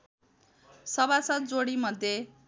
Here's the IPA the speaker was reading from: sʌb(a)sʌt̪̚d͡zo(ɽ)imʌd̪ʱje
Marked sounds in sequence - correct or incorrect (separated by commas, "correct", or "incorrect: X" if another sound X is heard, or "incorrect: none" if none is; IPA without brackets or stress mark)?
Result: correct, correct